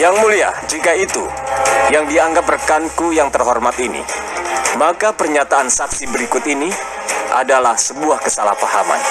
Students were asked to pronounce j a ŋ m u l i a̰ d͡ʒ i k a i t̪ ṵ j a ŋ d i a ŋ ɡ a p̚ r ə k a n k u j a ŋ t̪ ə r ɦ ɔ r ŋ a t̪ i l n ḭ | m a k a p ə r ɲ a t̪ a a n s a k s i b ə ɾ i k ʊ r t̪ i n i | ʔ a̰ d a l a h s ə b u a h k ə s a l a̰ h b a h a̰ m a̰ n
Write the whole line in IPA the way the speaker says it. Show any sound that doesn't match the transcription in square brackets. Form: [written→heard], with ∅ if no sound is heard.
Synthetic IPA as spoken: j a ŋ m u l i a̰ d͡ʒ i k a i t̪ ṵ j a ŋ d i a ŋ ɡ a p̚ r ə k a n k u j a ŋ t̪ ə r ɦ ɔ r [ŋ→m] a t̪ i [l→∅] n ḭ | m a k a p ə r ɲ a t̪ a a n s a k s i b ə ɾ i k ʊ [r→∅] t̪ i n i | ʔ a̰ d a l a h s ə b u a h k ə s a l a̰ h [b→p] a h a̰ m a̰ n

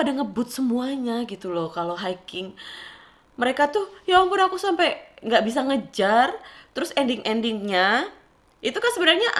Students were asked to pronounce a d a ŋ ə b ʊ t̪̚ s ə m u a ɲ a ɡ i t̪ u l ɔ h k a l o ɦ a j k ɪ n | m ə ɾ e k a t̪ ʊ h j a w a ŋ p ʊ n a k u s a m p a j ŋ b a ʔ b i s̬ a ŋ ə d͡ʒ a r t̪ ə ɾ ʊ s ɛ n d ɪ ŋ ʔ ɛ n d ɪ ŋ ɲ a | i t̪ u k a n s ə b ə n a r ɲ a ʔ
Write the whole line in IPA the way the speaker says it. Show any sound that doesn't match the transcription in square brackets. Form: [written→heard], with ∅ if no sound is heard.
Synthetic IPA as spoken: a d a ŋ ə b ʊ t̪̚ s ə m u a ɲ a ɡ i t̪ u l ɔ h k a l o ɦ a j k ɪ [n→ŋ] | m ə ɾ e k a t̪ ʊ h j a w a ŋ p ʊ n a k u s a m p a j ŋ [b→ɡ] a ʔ b i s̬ a ŋ ə d͡ʒ a r t̪ ə ɾ ʊ s ɛ n d ɪ ŋ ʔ ɛ n d ɪ ŋ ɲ a | i t̪ u k a n s ə b ə n a r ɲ a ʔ

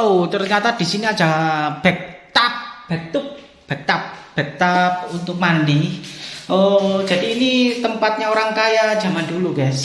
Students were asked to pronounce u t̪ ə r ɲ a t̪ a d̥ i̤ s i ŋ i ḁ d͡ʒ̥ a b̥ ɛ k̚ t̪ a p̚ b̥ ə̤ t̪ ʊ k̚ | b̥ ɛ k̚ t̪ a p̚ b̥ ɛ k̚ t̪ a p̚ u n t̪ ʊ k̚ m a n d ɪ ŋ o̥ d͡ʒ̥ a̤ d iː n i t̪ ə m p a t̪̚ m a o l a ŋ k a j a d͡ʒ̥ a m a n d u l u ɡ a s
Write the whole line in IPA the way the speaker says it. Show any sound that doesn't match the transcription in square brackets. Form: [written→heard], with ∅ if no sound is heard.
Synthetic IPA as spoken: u t̪ ə r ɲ a t̪ a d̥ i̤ s i [ŋ→n] i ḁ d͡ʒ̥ a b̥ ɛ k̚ t̪ a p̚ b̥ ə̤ t̪ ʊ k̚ | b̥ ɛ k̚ t̪ a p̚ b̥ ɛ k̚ t̪ a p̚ u n t̪ ʊ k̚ m a n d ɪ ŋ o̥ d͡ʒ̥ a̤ d iː n i t̪ ə m p a t̪̚ [m→ɲ] a o [l→ɾ] a ŋ k a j a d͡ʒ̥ a m a n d u l u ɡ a s

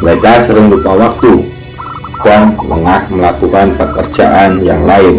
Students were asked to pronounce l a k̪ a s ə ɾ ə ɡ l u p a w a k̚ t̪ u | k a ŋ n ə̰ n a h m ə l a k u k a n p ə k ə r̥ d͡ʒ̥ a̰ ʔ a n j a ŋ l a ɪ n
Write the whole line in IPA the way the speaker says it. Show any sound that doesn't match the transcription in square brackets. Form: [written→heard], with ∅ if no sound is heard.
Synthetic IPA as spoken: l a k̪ a s ə ɾ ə [ɡ→ŋ] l u p a w a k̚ t̪ u | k a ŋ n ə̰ [n→ŋ] a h m ə l a k u k a n p ə k ə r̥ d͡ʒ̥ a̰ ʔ a n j a ŋ l a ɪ n

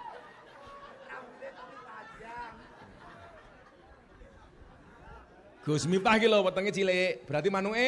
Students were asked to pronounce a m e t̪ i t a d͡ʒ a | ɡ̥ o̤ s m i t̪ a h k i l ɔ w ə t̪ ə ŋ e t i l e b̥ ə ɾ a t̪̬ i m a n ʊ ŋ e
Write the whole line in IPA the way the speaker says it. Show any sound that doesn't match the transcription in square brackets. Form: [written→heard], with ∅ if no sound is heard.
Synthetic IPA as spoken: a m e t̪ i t a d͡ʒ a | ɡ̥ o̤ s m i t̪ a h k i l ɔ w ə t̪ ə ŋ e [t→t͡ʃ] i l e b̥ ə ɾ a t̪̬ i m a n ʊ ŋ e

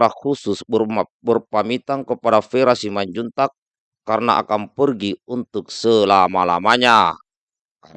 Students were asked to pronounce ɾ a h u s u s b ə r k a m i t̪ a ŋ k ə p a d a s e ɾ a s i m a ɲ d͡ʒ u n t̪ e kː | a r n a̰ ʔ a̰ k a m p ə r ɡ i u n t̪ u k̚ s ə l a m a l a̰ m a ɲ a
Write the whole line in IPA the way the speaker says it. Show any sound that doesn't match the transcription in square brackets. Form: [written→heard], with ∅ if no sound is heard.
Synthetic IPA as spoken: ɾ a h u s u s b ə r [k→p] a m i t̪ a ŋ k ə p a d a [s→f] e ɾ a s i m a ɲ d͡ʒ u n t̪ [e→a] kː | a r n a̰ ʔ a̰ k a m p ə r ɡ i u n t̪ u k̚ s ə l a m a l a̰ m a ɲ a

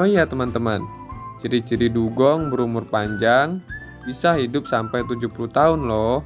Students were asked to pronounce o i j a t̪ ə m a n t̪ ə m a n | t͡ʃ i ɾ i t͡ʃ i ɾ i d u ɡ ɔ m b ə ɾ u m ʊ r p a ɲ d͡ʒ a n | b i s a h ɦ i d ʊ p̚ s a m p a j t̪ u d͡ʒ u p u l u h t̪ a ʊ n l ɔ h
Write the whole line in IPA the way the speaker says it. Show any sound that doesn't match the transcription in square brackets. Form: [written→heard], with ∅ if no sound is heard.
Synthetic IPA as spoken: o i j a t̪ ə m a n t̪ ə m a n | t͡ʃ i ɾ i t͡ʃ i ɾ i d u ɡ ɔ [m→ŋ] b ə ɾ u m ʊ r p a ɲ d͡ʒ a [n→ŋ] | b i s a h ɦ i d ʊ p̚ s a m p a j t̪ u d͡ʒ u p u l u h t̪ a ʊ n l ɔ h

